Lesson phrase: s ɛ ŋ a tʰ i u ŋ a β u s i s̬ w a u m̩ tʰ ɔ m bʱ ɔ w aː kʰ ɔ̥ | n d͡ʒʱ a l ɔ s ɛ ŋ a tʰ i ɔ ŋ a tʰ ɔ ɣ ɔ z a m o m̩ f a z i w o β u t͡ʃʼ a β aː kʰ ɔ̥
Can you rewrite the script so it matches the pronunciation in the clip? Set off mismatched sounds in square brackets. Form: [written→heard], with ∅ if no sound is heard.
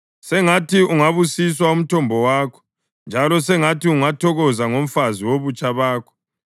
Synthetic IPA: s ɛ ŋ a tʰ i u ŋ a β u s i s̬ w a u m̩ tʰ ɔ m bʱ ɔ w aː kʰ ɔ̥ | n d͡ʒʱ a l ɔ s ɛ ŋ a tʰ i [ɔ→u] ŋ a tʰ ɔ ɣ ɔ z a [m→ŋ] o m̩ f a z i w o β u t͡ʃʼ a β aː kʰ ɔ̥